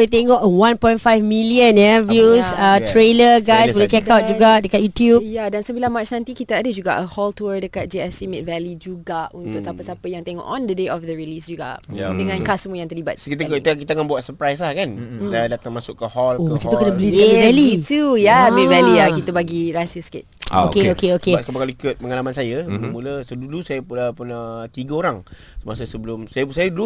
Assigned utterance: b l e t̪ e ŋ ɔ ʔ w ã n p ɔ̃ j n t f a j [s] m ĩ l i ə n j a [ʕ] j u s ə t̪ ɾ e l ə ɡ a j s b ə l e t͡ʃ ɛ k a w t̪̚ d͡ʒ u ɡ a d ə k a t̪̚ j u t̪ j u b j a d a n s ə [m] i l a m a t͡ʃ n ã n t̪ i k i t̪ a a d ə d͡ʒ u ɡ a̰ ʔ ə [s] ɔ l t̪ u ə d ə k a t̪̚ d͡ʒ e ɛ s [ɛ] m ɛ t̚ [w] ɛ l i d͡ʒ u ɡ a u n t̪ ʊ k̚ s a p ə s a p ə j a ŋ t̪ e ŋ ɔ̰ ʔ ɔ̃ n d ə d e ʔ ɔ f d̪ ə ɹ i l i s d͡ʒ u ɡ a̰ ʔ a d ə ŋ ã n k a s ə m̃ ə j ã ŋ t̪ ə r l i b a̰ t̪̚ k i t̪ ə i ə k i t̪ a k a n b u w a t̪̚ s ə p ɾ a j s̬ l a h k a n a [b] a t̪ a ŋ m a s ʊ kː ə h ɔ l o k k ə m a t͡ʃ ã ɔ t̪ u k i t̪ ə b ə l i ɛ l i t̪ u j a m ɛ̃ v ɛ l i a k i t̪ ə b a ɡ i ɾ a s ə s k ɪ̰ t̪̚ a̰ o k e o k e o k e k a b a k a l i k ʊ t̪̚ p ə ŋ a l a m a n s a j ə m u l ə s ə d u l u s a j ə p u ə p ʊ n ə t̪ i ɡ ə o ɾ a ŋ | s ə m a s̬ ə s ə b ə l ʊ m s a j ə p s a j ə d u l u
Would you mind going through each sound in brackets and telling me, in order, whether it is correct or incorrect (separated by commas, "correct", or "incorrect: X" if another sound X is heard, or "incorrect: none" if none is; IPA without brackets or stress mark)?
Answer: incorrect: f, incorrect: v, incorrect: b, incorrect: h, incorrect: i, incorrect: v, incorrect: d